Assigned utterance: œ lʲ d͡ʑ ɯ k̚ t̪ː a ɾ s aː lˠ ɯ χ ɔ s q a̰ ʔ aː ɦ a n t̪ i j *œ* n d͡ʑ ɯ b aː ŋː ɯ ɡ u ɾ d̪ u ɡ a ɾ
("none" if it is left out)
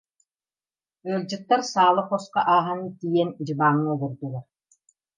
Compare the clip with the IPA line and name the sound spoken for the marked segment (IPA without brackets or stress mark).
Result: ɛ